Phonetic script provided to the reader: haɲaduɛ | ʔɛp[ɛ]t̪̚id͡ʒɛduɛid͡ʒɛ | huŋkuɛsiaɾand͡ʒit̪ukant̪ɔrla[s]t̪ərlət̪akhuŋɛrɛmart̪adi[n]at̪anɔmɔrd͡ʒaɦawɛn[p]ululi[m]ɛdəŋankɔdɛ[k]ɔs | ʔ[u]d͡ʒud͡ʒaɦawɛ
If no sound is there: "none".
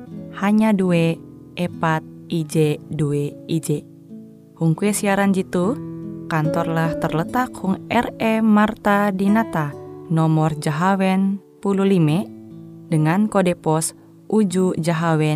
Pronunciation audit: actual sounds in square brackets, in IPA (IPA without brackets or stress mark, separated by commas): a, h, n, p, m, p, u